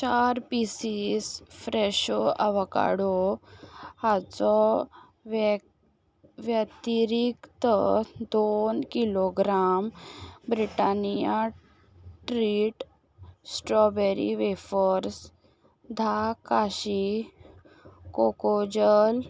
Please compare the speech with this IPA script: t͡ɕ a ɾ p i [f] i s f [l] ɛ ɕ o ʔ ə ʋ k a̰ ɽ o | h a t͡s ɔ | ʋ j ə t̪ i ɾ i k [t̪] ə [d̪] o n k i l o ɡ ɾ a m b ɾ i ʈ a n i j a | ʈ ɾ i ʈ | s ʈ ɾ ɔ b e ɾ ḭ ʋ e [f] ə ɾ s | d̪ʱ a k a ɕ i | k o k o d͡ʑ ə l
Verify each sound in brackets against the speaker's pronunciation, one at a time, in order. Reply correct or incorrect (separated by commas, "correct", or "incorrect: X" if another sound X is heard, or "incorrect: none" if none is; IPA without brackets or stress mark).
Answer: incorrect: s, incorrect: ɾ, correct, correct, correct